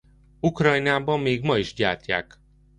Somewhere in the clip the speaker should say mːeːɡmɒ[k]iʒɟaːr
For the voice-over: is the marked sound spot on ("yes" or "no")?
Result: no